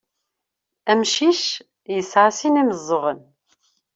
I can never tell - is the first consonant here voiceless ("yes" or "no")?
no